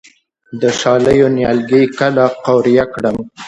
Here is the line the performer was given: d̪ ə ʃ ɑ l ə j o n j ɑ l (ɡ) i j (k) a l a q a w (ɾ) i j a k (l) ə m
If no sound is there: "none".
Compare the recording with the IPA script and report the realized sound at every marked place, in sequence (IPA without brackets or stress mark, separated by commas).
ɡ, k, ɾ, ɽ